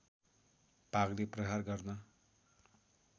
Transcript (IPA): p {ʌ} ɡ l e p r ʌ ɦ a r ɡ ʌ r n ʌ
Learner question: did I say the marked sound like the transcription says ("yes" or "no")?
no